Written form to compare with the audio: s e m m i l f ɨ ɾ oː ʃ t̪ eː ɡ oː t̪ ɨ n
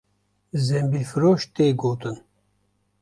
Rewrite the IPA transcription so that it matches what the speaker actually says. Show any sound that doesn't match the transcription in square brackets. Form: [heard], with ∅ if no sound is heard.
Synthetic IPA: [z] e m [b] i l f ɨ ɾ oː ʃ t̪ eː ɡ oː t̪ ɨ n